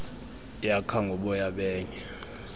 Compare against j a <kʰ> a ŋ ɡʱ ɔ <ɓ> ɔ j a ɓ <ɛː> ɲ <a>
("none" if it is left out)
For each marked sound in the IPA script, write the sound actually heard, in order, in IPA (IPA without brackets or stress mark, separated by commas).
kʰ, ɓ, ɛː, ɛ